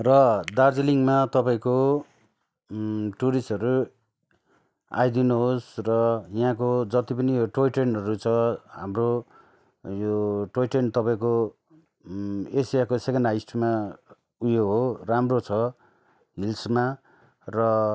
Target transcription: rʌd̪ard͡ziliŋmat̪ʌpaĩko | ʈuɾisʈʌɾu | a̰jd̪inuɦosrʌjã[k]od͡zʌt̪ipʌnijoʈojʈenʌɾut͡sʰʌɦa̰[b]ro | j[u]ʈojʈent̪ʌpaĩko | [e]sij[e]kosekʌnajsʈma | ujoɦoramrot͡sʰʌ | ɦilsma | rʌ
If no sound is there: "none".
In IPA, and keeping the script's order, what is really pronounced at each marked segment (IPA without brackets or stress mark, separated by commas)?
k, m, o, e, a